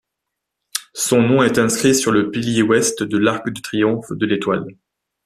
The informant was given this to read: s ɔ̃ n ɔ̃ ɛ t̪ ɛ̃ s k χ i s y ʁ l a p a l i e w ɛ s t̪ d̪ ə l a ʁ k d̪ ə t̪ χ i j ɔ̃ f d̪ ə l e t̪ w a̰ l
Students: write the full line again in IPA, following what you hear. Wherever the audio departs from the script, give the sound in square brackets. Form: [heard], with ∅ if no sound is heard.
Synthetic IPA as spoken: s ɔ̃ n ɔ̃ ɛ t̪ ɛ̃ s k χ i s y ʁ l [ə] p [i] l [j] e w ɛ s t̪ d̪ ə l a ʁ k d̪ ə t̪ χ i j ɔ̃ f d̪ ə l e t̪ w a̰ l